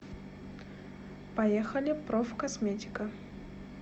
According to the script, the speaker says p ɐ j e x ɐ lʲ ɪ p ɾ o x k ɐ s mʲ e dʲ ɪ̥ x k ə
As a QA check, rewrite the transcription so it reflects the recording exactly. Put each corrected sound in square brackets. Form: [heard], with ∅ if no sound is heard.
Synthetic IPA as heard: p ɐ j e x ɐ lʲ ɪ p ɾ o [f] k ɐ s mʲ e [tʲ] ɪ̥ [∅] k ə